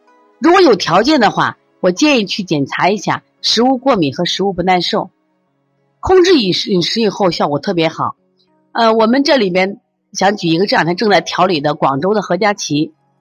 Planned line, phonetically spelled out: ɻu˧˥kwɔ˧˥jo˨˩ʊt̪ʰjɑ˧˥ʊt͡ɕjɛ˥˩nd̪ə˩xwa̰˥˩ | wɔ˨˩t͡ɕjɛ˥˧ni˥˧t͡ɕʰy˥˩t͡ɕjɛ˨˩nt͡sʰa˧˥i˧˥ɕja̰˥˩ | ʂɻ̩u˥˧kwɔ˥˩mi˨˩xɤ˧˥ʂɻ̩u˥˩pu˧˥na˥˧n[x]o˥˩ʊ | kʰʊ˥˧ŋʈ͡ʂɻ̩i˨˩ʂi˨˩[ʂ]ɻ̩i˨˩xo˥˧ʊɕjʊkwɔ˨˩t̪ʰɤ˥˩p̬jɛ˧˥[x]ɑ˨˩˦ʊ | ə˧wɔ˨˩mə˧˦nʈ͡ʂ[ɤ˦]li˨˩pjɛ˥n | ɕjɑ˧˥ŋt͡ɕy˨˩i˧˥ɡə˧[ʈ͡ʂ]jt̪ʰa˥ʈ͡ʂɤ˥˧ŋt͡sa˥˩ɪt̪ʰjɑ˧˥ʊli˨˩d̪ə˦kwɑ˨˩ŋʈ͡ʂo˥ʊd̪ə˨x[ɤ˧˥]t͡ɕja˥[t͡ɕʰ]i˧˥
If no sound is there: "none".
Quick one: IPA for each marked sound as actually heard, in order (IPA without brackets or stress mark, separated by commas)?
ʂ, ʂ, x, ɤ˥˩, ʈ͡ʂ, ɤ˧˥, t͡ɕʰ